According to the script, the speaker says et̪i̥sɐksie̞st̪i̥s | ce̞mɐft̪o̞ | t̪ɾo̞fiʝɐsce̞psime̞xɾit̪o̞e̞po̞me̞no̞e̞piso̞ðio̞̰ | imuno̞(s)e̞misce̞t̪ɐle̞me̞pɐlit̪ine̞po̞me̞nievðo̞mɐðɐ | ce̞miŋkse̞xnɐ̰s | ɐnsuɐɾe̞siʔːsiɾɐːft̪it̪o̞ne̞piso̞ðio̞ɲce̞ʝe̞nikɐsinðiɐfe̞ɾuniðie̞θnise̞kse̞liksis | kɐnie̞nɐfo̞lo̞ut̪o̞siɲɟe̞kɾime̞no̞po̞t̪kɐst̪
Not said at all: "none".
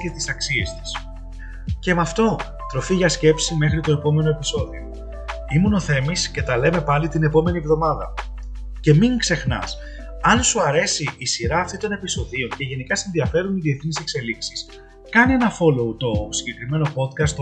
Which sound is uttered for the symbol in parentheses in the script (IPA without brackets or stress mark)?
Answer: θ